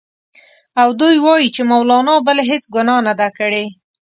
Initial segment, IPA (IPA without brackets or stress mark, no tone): a